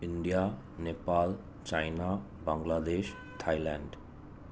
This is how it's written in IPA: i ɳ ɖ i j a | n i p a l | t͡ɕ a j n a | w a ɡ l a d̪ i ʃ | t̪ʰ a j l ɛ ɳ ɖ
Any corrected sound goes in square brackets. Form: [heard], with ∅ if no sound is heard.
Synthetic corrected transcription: i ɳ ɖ i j a | n [e] p a l | t͡ɕ a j n a | [b] a [ŋ] l a d̪ [e] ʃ | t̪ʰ a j l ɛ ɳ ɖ